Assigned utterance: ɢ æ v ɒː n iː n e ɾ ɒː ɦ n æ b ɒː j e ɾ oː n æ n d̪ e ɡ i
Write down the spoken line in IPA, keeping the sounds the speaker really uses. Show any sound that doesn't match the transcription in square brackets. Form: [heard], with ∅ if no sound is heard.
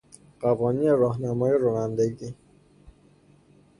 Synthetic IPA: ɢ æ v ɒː n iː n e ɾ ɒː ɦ n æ [m] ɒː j e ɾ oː n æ n d̪ e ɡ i